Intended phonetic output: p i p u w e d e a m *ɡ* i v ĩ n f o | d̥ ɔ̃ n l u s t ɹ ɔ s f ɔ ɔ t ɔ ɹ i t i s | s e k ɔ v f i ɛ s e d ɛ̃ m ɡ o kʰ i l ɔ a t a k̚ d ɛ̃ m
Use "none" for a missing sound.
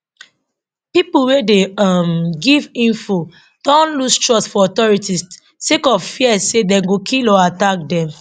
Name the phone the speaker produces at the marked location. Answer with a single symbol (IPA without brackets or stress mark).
ɡ